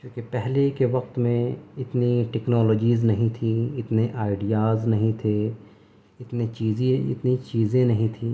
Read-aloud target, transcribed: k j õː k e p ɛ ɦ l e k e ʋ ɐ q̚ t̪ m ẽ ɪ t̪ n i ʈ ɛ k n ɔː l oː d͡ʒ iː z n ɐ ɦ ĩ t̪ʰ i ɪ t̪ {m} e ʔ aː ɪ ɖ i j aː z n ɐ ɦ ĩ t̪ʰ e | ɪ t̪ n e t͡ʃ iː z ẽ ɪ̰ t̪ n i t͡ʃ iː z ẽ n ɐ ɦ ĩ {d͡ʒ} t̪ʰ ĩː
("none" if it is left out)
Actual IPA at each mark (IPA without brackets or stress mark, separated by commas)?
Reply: n, none